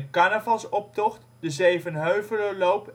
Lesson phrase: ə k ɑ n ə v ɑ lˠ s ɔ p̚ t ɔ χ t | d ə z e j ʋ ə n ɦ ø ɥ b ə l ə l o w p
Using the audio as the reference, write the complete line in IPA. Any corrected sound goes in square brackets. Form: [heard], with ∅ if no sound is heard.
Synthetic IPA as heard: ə k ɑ n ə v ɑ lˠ s ɔ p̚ t ɔ χ t | d ə z e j [v] ə n ɦ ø ɥ [v] ə l ə l o w p